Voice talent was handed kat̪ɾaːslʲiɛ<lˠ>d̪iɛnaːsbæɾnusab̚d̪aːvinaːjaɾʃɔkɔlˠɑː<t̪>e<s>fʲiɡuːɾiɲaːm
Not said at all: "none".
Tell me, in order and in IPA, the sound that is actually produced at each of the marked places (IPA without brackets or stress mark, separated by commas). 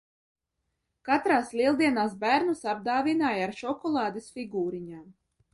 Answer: lˠ, d̪, s